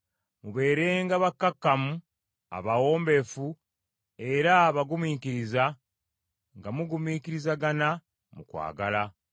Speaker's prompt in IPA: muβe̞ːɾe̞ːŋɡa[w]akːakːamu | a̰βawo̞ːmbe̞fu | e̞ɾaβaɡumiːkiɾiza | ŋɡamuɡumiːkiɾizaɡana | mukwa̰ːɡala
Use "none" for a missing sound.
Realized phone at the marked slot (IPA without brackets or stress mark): β